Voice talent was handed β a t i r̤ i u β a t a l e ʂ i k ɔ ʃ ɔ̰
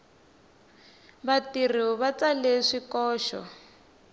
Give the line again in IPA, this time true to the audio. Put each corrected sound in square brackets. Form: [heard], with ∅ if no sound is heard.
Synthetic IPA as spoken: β a t i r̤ i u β a [t͡s] a l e ʂ i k [ɔː] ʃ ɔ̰